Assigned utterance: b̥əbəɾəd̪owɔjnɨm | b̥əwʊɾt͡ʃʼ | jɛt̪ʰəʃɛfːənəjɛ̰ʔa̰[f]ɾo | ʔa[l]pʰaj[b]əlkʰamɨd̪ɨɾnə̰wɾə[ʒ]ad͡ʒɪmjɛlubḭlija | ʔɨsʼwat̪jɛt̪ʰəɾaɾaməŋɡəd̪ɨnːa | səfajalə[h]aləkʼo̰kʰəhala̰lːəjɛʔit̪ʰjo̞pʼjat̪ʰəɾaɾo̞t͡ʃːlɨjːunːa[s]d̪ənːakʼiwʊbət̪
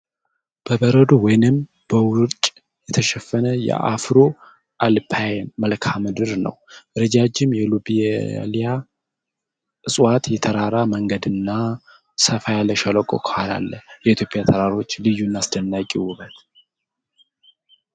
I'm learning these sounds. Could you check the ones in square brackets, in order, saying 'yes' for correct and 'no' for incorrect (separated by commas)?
yes, yes, no, no, no, yes